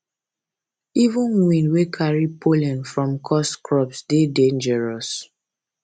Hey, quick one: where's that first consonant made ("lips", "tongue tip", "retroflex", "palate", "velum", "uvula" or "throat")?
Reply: lips